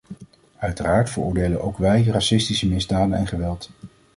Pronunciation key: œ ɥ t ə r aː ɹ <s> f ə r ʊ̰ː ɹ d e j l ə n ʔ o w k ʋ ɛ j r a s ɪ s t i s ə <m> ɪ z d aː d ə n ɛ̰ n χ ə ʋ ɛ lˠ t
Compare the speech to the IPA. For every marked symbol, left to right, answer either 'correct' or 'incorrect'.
incorrect: t, correct

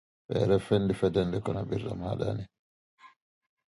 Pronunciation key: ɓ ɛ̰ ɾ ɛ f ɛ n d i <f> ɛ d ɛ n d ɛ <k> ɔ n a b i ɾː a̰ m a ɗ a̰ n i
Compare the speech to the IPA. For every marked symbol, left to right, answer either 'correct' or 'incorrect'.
correct, correct

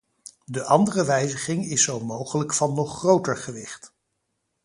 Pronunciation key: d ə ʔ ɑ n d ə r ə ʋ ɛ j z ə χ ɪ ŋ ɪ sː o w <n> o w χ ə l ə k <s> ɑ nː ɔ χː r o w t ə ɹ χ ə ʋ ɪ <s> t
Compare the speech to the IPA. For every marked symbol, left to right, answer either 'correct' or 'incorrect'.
incorrect: m, incorrect: f, incorrect: χ

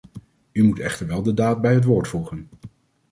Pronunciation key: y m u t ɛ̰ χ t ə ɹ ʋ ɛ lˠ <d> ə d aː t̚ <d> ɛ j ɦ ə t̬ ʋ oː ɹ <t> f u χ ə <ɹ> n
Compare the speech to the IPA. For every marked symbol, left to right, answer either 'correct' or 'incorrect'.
correct, incorrect: b, correct, incorrect: none

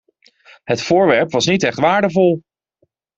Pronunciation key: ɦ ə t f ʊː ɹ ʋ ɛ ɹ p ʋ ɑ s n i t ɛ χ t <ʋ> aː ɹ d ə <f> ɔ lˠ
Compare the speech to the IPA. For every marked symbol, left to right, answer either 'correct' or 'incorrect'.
correct, incorrect: v

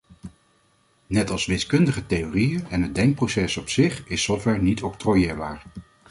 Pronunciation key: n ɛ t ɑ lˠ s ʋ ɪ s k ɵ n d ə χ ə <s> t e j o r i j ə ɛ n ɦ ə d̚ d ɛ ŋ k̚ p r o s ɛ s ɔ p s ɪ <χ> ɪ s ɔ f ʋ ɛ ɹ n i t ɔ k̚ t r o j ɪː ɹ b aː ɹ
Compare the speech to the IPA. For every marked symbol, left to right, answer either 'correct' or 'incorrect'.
incorrect: none, correct

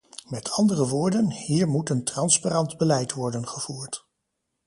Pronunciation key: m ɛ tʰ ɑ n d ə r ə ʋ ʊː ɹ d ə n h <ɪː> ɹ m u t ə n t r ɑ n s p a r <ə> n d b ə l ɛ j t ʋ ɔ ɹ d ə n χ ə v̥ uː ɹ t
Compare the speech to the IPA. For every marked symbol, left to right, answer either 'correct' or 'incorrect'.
incorrect: iː, incorrect: ɑ

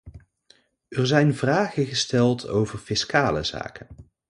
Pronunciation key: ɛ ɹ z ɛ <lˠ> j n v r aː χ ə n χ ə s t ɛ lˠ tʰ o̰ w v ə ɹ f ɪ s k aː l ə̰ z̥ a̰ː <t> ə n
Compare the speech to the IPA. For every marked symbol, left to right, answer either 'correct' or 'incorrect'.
incorrect: none, incorrect: k

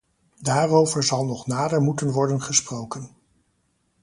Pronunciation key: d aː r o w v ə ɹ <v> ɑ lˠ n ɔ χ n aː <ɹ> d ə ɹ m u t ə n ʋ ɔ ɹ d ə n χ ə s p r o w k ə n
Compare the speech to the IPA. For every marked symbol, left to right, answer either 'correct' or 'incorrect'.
incorrect: z, incorrect: none

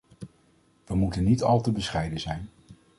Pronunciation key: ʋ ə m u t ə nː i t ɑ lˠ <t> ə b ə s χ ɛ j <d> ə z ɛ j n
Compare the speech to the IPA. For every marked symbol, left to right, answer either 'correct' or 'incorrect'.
correct, correct

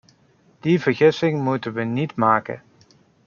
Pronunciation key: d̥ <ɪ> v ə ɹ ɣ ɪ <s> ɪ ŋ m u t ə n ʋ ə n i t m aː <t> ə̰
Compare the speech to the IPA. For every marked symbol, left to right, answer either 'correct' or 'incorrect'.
incorrect: i, correct, incorrect: k

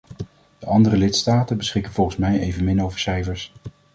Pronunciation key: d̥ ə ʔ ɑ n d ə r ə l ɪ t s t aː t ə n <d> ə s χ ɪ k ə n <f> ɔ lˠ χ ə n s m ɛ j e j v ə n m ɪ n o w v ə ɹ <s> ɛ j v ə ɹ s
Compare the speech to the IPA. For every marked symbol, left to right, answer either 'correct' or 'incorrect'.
incorrect: b, incorrect: v, correct

